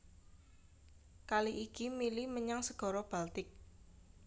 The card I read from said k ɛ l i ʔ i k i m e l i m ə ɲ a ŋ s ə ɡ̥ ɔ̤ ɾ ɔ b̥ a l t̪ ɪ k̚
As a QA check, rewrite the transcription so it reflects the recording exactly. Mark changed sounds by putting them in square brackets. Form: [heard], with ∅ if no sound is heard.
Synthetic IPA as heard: k [a] l i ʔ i k i m [i] l i m ə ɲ a ŋ s ə ɡ̥ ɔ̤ ɾ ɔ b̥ a l t̪ ɪ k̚